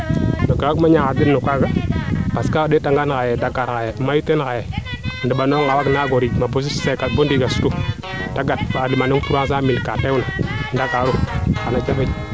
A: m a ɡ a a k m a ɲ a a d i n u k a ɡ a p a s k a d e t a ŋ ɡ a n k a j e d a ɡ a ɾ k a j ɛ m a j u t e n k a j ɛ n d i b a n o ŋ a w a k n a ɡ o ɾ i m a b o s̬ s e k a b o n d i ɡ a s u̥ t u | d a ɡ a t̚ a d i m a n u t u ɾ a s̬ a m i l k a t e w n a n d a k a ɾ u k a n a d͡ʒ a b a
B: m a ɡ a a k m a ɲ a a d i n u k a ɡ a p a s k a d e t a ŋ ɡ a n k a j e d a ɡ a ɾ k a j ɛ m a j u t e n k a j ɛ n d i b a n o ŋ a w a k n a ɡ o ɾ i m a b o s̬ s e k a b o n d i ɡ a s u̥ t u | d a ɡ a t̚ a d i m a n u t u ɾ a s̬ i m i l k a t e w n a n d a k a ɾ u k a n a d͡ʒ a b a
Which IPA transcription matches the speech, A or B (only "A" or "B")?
A